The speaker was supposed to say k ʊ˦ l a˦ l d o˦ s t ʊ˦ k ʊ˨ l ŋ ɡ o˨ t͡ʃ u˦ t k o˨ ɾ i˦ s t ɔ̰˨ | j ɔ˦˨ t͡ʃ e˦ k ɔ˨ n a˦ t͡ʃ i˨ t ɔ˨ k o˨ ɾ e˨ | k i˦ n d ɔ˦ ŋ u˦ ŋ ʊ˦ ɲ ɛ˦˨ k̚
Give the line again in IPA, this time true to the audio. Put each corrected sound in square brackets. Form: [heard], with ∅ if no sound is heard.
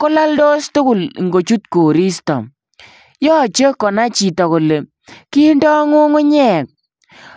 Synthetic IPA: k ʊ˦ l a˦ l d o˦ s t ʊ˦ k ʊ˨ l ŋ ɡ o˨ t͡ʃ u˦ t k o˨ ɾ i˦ s t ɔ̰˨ | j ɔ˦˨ t͡ʃ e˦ k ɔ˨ n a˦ t͡ʃ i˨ t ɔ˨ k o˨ [l] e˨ | k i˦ n d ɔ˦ ŋ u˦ ŋ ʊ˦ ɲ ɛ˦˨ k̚